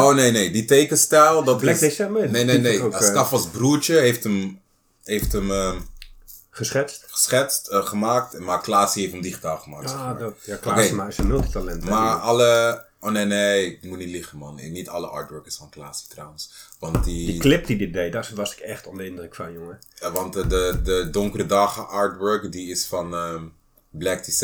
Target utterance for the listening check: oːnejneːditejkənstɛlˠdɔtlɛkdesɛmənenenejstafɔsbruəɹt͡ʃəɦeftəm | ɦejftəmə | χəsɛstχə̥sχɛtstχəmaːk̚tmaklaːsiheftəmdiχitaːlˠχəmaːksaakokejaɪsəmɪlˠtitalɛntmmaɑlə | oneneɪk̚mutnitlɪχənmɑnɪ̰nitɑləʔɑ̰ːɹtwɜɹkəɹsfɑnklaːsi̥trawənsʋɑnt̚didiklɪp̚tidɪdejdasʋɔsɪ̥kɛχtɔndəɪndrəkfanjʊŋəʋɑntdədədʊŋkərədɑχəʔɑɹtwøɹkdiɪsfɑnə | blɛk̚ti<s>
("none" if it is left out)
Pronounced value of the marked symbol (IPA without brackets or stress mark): s